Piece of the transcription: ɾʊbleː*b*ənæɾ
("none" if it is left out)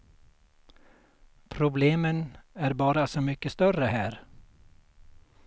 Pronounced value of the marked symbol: m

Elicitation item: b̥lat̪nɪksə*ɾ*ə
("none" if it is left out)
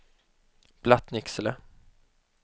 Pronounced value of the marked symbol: l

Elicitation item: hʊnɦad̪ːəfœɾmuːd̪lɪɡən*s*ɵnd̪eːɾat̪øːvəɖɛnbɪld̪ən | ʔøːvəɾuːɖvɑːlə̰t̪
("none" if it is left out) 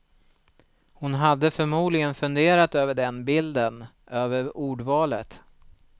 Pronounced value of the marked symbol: f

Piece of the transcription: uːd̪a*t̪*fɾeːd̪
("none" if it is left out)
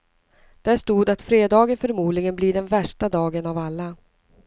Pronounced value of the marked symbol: t̪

